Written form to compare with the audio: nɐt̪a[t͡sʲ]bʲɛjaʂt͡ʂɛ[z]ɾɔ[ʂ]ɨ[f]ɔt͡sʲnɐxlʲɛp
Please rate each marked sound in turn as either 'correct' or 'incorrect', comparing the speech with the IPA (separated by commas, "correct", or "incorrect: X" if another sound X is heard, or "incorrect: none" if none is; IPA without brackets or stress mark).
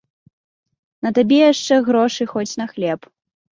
incorrect: none, incorrect: ɣ, correct, incorrect: x